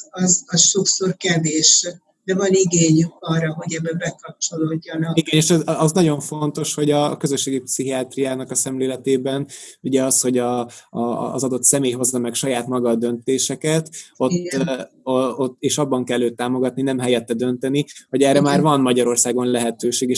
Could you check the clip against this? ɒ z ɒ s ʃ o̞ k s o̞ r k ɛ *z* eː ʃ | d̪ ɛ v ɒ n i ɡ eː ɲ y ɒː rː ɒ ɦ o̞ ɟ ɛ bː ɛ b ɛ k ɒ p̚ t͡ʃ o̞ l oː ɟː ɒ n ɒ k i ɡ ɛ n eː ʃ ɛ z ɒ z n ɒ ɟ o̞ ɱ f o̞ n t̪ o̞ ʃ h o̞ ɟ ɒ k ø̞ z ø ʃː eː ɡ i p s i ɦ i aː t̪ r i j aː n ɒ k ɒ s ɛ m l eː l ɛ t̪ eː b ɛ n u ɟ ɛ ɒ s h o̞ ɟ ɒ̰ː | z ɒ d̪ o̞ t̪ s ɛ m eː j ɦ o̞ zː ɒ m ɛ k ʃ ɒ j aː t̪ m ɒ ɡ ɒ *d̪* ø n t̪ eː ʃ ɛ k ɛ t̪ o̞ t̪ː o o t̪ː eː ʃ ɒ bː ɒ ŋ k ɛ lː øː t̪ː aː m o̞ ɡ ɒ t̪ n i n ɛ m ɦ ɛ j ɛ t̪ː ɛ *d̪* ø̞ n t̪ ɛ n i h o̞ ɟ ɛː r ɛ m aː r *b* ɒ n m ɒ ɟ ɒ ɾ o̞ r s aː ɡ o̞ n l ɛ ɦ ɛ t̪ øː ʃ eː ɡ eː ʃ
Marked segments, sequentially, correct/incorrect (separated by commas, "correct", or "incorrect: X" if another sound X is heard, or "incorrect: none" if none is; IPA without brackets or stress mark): incorrect: v, correct, correct, incorrect: v